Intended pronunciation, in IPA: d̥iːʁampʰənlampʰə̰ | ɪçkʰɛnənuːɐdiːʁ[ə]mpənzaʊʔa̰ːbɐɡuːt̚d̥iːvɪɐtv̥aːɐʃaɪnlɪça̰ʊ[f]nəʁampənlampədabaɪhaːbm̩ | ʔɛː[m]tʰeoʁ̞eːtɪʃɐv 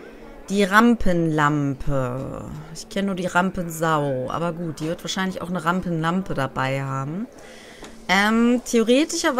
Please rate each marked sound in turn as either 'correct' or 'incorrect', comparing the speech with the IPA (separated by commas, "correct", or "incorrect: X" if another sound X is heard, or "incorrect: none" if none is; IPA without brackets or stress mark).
incorrect: a, incorrect: x, correct